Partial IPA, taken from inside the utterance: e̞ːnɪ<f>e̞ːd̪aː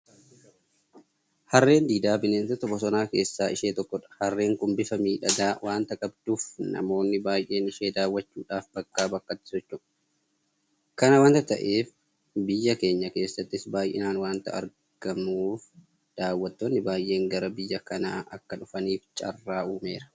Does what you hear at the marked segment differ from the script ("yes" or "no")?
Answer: yes